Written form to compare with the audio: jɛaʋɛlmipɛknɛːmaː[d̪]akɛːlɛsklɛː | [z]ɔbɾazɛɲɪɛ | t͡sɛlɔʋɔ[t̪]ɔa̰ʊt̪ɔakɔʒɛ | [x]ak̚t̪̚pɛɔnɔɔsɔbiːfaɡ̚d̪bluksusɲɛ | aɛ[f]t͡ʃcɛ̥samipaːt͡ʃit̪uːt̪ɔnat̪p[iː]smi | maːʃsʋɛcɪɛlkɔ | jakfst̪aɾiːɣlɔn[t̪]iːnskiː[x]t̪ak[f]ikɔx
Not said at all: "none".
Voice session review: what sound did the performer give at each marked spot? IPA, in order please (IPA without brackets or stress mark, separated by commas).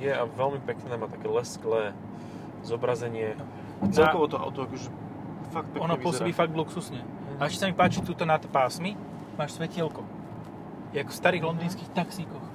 t̪, z, t̪, f, ʃ, aː, d̪, x, s